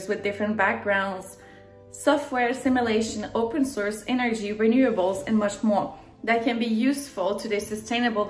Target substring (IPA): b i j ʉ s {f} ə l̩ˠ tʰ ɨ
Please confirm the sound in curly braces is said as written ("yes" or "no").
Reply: yes